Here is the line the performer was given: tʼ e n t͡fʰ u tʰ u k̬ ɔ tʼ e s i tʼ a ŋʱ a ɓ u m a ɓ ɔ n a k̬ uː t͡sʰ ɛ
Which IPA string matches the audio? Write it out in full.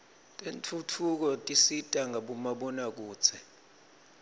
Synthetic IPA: tʼ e n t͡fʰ u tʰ u k̬ ɔ tʼ i s i tʼ a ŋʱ a ɓ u m a ɓ ɔ n a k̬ uː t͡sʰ ɛ